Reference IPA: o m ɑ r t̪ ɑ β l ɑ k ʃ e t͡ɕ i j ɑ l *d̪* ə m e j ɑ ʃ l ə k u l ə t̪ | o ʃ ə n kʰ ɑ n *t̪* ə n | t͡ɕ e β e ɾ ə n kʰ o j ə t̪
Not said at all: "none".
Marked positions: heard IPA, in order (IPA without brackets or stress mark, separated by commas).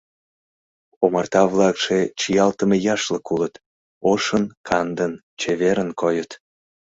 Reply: t̪, d̪